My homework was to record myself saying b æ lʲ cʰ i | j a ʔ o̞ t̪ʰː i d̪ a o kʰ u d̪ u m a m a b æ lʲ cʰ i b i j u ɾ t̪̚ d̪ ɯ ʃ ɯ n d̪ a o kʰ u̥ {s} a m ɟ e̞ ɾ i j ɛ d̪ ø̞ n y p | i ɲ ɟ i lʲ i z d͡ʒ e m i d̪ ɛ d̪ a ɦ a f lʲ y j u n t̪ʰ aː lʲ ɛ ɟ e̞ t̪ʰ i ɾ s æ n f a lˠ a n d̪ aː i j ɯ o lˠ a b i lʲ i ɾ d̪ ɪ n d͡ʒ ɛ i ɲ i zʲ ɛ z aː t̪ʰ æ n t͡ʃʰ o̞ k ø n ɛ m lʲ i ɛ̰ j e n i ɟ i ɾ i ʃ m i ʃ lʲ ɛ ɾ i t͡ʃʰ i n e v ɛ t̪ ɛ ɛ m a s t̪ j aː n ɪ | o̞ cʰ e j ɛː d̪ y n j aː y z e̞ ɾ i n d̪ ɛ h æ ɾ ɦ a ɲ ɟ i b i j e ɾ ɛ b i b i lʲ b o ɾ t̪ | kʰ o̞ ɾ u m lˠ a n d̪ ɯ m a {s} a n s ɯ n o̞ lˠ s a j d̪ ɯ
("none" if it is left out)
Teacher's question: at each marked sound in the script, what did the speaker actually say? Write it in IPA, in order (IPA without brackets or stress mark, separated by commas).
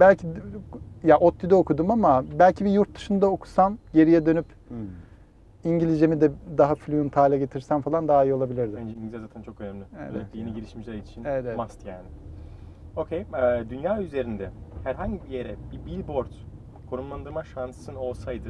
s, ʃ